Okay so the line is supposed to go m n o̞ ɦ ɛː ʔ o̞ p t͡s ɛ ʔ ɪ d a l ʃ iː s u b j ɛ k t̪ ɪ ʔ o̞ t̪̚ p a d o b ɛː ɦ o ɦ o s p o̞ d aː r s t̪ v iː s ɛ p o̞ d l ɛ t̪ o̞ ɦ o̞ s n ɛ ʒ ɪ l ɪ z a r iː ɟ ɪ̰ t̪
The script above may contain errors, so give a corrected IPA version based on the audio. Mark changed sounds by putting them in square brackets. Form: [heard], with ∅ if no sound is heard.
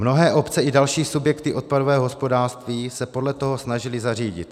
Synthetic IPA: m n o̞ ɦ ɛː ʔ o̞ p t͡s ɛ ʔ ɪ d a l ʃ iː s u b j ɛ k t̪ ɪ ʔ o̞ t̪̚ p a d o [v] ɛː ɦ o ɦ o s p o̞ d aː r s t̪ v iː s ɛ p o̞ d l ɛ t̪ o̞ ɦ o̞ s n [a] ʒ ɪ l ɪ z a r iː ɟ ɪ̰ t̪